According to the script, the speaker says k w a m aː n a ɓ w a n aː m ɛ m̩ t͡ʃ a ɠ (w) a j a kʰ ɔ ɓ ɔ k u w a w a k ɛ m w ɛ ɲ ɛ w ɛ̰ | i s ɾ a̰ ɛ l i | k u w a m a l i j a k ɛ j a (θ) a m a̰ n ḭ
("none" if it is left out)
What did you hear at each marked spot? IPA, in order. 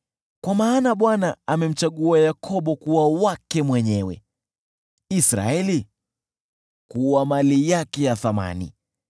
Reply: u, θ

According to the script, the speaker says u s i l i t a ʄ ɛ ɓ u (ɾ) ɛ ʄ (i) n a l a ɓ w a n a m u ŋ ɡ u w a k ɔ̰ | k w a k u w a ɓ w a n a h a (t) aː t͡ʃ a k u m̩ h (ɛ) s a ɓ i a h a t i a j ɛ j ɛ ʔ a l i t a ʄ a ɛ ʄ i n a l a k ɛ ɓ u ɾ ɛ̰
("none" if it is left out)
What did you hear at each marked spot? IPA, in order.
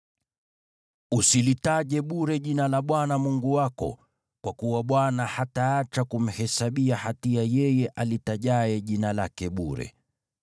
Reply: ɾ, i, t, ɛ

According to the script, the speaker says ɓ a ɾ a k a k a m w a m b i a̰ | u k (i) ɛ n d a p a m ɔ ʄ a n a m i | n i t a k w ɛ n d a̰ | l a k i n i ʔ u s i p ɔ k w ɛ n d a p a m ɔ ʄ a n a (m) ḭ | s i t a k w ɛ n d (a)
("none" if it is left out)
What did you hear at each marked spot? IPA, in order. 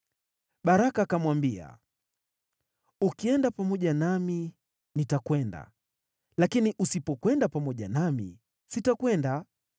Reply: i, m, a

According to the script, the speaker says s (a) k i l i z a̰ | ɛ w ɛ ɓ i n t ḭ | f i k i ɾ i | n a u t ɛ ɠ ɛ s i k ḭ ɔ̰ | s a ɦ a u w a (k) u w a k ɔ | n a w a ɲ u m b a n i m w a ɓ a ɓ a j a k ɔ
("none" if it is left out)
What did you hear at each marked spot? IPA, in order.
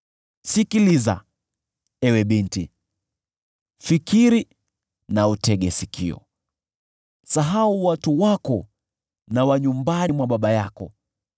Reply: i, t

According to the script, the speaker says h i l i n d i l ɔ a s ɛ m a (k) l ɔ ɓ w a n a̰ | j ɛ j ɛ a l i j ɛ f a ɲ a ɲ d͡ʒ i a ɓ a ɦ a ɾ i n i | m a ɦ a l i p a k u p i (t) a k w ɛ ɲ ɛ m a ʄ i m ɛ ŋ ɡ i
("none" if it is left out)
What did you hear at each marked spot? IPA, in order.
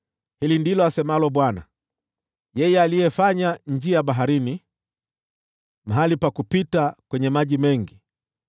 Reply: none, t

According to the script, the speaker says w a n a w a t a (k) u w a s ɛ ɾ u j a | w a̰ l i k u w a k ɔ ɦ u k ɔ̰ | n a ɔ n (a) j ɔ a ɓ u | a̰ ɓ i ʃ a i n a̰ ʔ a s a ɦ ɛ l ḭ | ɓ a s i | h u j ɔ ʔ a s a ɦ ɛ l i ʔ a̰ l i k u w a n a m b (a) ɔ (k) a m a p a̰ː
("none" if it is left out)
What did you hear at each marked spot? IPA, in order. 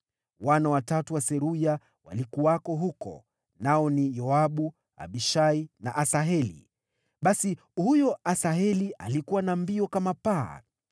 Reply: t, i, i, k

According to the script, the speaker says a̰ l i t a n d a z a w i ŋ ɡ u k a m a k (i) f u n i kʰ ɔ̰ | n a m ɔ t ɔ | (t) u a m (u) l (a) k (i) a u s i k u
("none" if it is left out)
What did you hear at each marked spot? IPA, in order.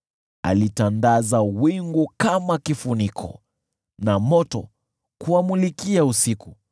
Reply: i, k, u, i, i

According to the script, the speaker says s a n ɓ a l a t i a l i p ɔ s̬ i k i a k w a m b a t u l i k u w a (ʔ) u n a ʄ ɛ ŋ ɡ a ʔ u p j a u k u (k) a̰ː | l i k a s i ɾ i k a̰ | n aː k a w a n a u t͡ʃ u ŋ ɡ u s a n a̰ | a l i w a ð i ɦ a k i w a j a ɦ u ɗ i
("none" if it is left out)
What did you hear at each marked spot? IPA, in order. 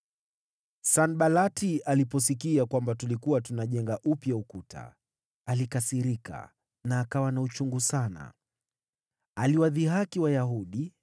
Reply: t, t

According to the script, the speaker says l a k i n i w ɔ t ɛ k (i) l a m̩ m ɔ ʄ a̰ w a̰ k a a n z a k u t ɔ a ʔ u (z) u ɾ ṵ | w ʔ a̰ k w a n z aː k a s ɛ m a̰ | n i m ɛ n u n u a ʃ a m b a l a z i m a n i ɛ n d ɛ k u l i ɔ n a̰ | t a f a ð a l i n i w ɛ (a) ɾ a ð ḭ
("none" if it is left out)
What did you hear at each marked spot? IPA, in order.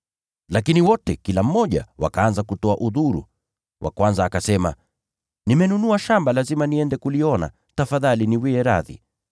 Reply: i, ð, ɛ

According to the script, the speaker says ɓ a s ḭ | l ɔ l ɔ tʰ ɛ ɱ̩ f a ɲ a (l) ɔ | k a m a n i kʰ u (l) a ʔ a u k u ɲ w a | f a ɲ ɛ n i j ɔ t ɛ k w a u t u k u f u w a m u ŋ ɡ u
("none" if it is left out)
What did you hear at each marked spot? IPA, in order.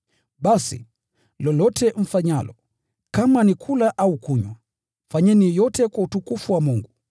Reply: l, l

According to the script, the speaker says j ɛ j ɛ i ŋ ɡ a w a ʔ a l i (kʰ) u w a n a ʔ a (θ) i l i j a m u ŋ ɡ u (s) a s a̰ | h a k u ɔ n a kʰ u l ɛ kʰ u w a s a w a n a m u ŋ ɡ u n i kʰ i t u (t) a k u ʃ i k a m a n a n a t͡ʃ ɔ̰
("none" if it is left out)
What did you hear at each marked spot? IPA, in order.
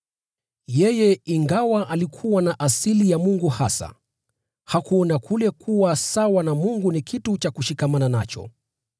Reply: kʰ, s, h, t͡ʃ

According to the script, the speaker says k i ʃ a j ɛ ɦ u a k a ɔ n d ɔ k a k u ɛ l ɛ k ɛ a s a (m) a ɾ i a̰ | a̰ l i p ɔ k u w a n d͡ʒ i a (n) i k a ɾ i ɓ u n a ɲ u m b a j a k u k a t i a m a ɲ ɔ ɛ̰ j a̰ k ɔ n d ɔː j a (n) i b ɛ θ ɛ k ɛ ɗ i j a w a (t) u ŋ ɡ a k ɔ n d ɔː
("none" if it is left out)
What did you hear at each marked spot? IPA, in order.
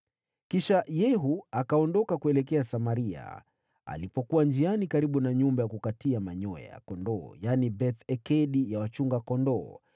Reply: m, n, n, t͡ʃ

